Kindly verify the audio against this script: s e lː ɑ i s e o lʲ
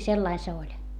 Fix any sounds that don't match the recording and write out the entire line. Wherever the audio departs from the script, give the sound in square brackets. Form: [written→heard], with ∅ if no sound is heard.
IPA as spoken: s e lː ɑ i s e o lʲ